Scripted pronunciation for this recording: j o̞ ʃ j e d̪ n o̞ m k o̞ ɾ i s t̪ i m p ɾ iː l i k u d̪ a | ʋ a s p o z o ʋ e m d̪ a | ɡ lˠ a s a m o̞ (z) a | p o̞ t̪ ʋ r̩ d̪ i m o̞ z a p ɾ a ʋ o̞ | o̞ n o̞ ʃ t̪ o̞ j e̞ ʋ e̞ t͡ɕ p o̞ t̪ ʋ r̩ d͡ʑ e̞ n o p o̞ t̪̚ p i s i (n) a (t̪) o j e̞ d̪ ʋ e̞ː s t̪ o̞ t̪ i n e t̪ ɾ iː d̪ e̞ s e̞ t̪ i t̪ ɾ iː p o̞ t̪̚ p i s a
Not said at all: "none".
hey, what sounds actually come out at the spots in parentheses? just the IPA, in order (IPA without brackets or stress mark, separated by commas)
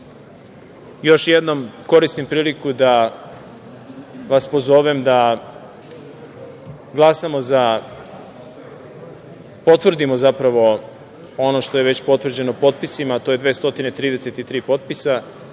z, m, t̪